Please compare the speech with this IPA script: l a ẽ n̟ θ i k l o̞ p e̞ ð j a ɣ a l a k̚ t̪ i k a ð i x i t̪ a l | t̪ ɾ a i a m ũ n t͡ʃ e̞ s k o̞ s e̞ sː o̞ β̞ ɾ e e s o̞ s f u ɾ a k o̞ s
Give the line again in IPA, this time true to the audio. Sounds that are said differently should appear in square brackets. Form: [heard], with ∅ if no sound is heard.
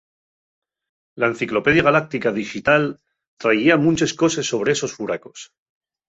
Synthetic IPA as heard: l a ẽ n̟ θ i k l o̞ p e̞ ð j a ɣ a l a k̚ t̪ i k a ð i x i t̪ a l | t̪ ɾ a i a m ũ n t͡ʃ e̞ s k o̞ s e̞ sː o̞ β̞ ɾ e e s o̞ s f u ɾ a k o̞ s